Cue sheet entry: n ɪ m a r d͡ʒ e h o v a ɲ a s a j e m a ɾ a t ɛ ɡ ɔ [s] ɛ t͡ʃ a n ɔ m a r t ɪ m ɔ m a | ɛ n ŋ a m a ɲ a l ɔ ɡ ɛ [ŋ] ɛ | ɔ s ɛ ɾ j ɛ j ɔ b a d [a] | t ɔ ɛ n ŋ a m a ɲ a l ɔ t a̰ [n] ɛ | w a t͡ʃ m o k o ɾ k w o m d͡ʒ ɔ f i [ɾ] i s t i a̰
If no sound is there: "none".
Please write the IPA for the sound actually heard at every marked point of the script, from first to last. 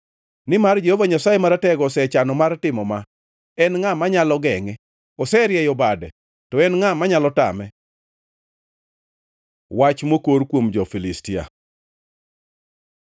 s, ŋ, ɛ, m, l

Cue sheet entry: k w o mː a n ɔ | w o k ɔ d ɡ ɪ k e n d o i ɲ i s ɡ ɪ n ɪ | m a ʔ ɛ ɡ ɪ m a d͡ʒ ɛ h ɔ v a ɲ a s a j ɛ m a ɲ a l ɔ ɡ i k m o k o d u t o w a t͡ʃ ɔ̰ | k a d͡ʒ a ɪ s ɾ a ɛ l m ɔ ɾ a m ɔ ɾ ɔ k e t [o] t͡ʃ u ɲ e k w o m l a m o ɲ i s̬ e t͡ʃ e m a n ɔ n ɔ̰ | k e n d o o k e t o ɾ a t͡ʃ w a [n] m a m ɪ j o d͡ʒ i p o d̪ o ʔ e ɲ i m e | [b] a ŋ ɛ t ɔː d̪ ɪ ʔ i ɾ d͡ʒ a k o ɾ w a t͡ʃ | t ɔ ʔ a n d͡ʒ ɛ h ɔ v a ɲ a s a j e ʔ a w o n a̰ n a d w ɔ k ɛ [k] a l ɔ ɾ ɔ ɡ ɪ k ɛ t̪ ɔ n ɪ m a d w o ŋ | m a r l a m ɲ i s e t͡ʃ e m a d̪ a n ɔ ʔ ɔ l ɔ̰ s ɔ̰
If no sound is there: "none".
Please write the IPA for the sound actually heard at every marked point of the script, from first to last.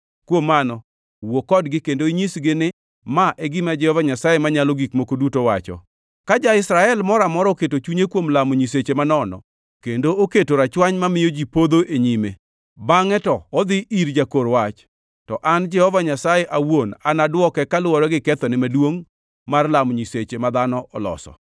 o, ɲ, b, k

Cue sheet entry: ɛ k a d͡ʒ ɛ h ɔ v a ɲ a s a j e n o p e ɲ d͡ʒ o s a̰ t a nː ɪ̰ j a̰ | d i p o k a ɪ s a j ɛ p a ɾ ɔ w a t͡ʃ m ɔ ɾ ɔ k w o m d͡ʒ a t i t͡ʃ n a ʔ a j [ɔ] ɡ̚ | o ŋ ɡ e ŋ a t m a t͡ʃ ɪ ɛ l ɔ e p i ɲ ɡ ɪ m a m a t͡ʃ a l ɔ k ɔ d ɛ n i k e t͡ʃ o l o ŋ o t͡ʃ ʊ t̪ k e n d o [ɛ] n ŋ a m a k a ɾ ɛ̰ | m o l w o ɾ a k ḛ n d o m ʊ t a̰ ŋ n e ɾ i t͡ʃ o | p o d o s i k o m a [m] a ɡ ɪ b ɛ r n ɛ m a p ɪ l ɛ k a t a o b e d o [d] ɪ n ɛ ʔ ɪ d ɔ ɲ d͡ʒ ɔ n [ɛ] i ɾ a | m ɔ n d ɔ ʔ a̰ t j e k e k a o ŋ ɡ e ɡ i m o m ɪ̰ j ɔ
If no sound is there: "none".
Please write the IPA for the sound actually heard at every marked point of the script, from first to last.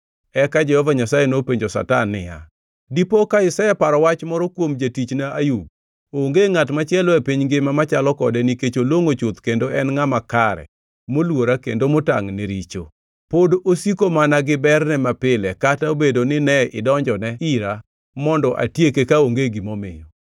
u, ɛ, n, n, ɛ

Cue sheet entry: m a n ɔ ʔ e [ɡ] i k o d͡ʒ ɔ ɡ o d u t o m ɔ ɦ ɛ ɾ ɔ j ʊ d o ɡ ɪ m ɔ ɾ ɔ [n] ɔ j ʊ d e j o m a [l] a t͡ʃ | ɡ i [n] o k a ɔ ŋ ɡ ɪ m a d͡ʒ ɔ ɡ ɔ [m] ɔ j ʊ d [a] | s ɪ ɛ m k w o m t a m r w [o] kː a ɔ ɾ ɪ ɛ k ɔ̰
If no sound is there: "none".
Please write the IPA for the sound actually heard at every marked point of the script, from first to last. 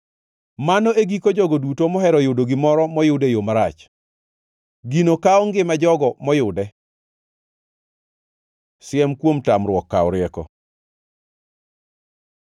ɡ, m, ɾ, n, m, ɛ, ɔ

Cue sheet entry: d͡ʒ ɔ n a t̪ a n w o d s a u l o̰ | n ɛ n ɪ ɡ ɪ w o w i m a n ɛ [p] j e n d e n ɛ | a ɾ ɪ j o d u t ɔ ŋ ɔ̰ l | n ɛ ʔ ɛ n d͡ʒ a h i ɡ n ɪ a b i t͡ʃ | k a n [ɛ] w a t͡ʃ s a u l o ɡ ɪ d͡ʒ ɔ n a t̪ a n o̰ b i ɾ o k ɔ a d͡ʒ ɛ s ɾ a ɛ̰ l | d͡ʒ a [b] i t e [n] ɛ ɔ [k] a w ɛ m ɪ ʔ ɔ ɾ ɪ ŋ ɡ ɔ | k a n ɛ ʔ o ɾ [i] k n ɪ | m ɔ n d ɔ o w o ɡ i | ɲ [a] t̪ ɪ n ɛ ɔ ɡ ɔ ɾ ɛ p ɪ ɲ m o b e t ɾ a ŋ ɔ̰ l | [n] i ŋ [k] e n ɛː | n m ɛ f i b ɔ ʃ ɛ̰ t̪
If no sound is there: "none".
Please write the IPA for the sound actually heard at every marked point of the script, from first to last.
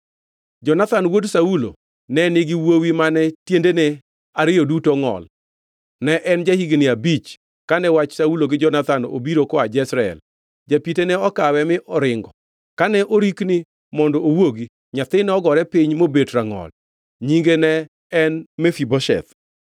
t, ɛ, p, n, k, i, a, ɲ, ɡ

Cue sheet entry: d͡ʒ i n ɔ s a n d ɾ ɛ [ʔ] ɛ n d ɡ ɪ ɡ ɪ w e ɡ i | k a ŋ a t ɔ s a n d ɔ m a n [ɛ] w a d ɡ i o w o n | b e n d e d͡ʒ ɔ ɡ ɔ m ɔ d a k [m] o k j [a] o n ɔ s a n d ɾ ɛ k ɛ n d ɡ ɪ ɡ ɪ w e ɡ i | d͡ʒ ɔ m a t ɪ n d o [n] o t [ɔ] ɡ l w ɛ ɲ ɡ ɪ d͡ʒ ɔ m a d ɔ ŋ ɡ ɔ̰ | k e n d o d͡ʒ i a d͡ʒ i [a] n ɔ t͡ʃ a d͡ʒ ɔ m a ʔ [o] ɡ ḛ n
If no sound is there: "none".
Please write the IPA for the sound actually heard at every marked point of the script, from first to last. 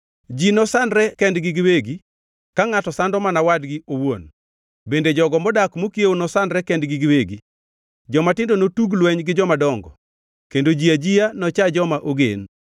k, a, m, e, n, u, a, o

